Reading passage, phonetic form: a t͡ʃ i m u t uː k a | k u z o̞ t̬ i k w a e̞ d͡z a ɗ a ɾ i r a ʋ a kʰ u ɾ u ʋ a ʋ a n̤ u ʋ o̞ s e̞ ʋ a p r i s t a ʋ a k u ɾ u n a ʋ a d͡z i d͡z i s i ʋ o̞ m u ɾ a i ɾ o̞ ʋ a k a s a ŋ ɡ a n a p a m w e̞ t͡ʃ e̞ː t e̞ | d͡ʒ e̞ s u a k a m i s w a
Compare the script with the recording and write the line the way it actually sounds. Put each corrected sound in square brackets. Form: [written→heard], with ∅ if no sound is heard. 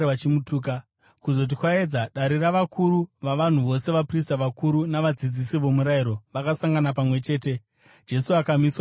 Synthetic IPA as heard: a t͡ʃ i m u t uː k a | k u z o̞ t̬ i k w a e̞ d͡z a ɗ a ɾ i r a ʋ a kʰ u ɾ u ʋ a ʋ a n̤ u ʋ o̞ s e̞ ʋ a p r i s t a ʋ a k u ɾ u n a ʋ a d͡z i d͡z i s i ʋ o̞ m u ɾ a i ɾ o̞ ʋ a k a s a ŋ ɡ a n a p a m w e̞ t͡ʃ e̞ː t e̞ | d͡ʒ e̞ s u a k a m i s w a